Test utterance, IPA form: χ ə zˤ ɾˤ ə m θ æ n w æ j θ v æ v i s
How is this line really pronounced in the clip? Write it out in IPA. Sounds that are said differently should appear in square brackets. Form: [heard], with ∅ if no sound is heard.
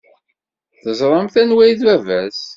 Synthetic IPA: [θ] ə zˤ ɾˤ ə m θ æ n w æ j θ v æ v [æ] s